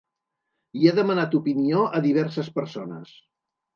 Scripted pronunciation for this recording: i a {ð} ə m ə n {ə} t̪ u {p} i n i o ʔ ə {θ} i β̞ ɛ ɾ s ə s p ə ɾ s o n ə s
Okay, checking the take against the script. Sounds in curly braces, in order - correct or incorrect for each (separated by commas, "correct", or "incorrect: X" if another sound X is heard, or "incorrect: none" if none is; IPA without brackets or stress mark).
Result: correct, incorrect: a, correct, incorrect: ð